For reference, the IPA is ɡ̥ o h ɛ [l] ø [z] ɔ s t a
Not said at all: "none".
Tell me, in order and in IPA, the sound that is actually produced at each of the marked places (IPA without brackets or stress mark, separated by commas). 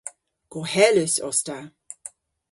l, s